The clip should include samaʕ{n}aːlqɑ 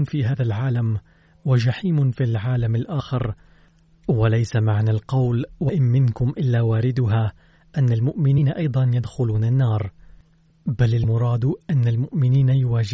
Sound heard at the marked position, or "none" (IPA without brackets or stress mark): n